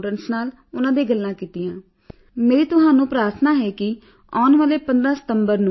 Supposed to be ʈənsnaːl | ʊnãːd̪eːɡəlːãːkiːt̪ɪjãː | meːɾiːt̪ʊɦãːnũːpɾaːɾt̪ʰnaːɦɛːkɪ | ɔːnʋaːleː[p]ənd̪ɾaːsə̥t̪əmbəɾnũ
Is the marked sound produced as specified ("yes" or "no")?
yes